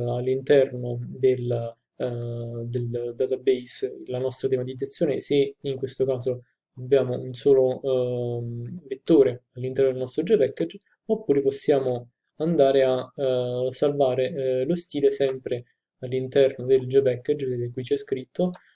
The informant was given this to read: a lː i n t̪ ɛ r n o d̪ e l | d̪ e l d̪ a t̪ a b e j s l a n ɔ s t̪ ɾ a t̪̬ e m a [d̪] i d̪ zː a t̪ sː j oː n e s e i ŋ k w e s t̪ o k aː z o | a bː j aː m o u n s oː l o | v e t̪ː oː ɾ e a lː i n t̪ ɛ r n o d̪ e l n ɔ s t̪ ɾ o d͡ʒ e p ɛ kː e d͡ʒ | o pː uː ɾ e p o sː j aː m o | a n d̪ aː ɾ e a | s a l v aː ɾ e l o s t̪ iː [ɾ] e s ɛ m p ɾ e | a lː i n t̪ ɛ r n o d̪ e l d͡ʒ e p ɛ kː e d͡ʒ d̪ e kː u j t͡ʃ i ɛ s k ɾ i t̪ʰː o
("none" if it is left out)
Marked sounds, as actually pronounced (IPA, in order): t̪, l

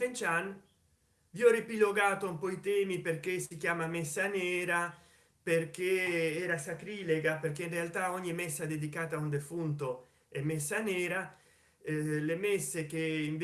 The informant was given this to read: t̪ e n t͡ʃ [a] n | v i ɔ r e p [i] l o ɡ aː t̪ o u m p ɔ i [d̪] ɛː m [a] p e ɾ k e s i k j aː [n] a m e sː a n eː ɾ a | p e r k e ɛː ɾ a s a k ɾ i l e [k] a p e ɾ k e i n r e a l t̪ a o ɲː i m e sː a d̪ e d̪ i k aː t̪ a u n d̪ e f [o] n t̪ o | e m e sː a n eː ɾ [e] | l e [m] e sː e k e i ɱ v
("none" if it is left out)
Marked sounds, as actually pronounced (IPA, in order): a, i, t̪, i, m, ɡ, u, a, m

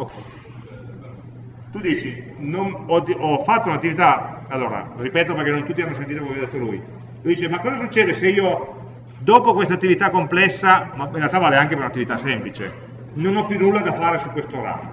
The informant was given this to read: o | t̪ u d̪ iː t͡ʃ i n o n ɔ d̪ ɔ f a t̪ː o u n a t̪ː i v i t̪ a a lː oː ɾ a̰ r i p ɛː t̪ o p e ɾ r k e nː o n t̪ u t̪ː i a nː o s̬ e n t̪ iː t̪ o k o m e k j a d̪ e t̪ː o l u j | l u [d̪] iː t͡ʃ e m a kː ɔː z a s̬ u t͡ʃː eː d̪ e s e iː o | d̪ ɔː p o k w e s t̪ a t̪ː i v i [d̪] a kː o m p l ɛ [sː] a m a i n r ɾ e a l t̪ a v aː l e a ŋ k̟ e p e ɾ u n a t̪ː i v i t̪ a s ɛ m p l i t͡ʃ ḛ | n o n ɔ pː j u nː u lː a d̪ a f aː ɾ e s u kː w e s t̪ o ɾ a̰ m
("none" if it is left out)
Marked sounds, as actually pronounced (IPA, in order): d̪, t̪, sː

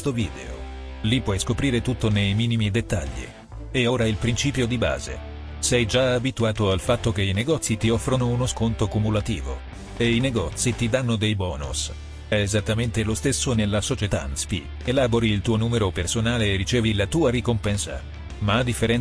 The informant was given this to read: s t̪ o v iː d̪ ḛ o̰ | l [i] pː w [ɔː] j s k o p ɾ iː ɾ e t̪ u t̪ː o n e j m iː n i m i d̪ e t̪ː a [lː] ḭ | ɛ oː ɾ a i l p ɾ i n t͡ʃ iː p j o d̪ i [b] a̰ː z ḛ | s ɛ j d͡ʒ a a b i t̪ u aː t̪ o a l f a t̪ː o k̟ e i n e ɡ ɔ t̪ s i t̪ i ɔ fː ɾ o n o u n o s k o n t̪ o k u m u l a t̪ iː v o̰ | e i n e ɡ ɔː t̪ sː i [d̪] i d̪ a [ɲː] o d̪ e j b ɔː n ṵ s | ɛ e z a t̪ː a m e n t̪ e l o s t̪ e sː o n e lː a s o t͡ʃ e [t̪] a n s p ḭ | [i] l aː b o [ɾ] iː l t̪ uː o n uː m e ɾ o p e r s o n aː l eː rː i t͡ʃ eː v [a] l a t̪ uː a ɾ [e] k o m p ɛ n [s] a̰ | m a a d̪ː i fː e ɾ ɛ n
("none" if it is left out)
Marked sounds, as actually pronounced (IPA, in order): i, ɔ, ʎː, b, t̪, nː, t̪, e, ɾ, i, i, s

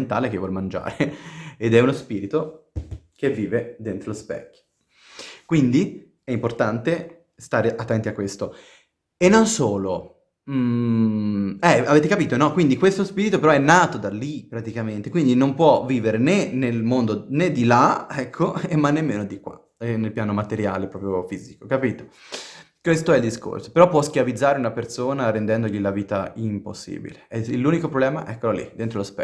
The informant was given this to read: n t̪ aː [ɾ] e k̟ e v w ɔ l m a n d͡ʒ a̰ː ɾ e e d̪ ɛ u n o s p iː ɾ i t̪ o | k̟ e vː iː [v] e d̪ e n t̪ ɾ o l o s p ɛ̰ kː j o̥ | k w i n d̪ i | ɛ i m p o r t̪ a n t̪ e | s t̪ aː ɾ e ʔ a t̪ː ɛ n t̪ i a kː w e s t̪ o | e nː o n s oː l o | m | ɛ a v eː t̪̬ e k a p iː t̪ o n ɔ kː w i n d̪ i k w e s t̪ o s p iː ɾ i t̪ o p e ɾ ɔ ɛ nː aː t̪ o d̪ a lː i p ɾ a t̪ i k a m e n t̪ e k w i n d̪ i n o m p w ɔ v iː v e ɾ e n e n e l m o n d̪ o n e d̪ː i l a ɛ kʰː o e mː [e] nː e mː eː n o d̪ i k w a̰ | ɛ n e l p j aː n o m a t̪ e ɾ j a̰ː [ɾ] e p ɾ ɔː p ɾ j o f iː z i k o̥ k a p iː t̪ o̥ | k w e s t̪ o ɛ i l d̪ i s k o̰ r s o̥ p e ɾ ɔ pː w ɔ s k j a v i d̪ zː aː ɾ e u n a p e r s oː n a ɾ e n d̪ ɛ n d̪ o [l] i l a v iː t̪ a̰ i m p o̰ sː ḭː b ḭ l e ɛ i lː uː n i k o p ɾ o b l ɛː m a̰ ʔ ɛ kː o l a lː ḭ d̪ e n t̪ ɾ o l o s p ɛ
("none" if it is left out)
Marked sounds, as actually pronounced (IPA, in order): l, v, a, l, ʎ

